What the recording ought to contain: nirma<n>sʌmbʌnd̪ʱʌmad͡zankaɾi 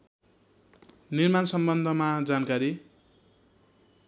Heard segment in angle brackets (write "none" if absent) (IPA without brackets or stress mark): n